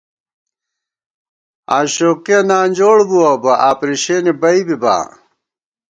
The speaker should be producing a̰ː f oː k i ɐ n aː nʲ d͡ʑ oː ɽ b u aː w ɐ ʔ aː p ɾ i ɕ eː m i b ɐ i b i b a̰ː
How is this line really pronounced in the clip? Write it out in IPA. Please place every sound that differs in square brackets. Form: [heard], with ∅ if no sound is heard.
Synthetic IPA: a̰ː [ɕ] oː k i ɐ n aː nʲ d͡ʑ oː ɽ b u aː [b] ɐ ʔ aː p ɾ i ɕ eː [n] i b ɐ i b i b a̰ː